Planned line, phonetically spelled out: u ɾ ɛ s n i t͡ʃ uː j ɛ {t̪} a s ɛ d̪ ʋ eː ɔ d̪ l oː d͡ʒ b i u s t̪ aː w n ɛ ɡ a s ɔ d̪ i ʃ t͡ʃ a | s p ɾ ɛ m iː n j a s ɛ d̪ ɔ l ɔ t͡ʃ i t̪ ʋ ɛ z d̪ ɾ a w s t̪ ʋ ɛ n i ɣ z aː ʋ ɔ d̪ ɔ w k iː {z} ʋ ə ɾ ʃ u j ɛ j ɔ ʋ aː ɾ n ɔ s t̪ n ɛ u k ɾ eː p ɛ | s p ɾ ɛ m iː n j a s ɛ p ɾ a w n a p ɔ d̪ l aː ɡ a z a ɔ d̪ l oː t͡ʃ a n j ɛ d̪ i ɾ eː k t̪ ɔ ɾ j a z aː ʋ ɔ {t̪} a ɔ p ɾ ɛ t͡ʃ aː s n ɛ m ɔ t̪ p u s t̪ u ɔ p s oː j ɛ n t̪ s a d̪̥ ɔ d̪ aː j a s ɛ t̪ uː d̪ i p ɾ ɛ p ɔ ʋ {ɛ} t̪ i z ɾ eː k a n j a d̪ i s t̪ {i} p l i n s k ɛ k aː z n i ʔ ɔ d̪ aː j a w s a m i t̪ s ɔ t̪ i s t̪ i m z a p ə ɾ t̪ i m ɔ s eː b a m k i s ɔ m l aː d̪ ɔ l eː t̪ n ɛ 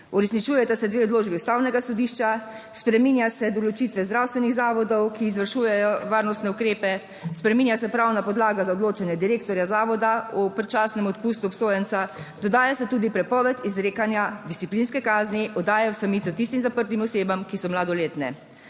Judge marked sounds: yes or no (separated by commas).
yes, yes, no, yes, yes